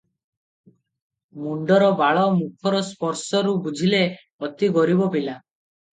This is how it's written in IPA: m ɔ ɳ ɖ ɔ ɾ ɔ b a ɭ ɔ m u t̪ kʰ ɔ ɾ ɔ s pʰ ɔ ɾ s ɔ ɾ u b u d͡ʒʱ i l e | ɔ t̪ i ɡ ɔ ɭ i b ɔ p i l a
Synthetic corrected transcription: m u ɳ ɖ ɔ ɾ ɔ b a ɭ ɔ m u kʰ ɔ ɾ ɔ s p ɔ ɾ s ɔ ɾ u b u d͡ʒʱ i l e | ɔ t̪ i ɡ ɔ ɾ i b ɔ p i l a